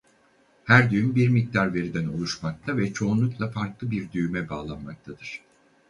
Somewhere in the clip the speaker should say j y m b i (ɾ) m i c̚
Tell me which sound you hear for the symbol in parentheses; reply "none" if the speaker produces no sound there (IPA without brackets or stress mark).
ɾ